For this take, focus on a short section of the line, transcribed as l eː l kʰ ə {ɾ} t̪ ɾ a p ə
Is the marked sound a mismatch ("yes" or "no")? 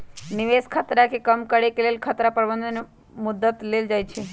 yes